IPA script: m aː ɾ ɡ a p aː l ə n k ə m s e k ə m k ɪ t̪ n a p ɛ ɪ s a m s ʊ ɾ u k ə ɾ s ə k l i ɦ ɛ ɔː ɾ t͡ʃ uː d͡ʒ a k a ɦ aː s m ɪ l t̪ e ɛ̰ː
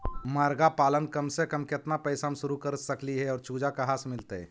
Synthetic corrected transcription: m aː ɾ ɡ a p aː l ə n k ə m s e k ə m k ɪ t̪ n a p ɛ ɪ s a m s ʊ ɾ u k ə ɾ s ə k l i ɦ ɛ ɔː ɾ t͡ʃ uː d͡ʒ a k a ɦ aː s m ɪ l t̪ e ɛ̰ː

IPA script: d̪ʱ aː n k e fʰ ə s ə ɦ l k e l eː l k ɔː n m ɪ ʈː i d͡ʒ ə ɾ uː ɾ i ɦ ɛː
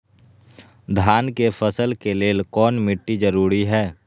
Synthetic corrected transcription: d̪ʱ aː n k e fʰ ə s ə l k e l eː l k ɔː n m ɪ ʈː i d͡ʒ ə ɾ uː ɾ i ɦ ɛː

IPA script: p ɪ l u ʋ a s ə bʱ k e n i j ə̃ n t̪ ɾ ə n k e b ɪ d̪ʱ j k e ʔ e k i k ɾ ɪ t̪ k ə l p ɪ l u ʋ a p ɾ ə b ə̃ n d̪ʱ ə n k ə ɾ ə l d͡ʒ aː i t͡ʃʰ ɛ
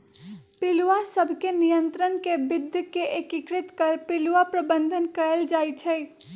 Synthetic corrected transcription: p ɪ l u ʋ a s ə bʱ k e n i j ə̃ n t̪ ɾ ə n k e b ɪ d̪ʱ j k e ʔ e k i k ɾ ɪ t̪ k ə ɾ p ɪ l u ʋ a p ɾ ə b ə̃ n d̪ʱ ə n k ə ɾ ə l d͡ʒ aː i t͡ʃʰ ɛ

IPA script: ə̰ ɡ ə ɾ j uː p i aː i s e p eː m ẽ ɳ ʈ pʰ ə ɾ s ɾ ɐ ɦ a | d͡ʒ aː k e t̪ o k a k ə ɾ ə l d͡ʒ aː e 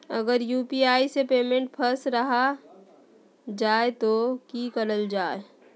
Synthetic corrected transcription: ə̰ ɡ ə ɾ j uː p i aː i s e p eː m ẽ ɳ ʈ pʰ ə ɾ s ɾ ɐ ɦ a | d͡ʒ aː e t̪ o k i k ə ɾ ə l d͡ʒ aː e

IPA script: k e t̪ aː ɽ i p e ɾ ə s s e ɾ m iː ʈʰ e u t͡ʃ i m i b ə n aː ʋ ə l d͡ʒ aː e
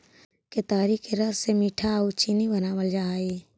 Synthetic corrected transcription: k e t̪ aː ɾ i k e ɾ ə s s e m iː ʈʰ a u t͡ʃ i n i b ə n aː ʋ ə l d͡ʒ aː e

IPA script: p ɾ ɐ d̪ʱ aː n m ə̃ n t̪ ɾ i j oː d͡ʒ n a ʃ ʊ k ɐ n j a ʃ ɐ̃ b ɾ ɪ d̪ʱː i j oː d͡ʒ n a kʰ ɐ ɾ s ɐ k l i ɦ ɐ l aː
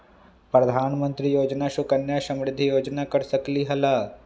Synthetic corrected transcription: p ɾ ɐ d̪ʱ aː n m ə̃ n t̪ ɾ i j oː d͡ʒ n a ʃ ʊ k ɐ n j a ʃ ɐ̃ m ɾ ɪ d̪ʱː i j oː d͡ʒ n a k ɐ ɾ s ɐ k l i ɦ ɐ l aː

